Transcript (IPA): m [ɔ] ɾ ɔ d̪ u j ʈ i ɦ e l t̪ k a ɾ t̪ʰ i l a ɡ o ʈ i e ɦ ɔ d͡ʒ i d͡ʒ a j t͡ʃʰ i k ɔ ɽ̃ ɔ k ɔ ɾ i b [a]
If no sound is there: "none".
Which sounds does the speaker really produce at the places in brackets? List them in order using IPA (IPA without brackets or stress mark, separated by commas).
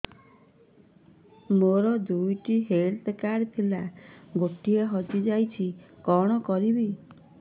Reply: o, i